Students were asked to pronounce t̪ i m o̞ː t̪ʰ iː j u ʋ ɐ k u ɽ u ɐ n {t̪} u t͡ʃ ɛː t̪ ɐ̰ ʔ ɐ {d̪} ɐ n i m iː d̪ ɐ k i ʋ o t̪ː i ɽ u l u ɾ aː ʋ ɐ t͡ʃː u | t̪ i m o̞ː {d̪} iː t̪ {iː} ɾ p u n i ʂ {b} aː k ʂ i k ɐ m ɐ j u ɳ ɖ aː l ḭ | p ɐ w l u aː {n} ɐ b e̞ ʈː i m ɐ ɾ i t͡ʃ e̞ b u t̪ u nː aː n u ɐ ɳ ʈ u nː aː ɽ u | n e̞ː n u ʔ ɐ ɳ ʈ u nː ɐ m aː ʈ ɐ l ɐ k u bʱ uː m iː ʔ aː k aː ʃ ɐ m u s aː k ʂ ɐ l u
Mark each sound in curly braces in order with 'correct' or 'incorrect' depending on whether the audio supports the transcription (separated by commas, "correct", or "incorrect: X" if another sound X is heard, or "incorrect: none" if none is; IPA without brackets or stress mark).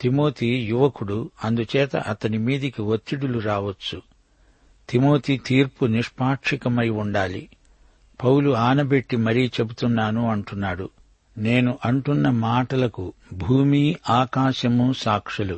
incorrect: d̪, incorrect: t̪, incorrect: t̪, correct, incorrect: p, correct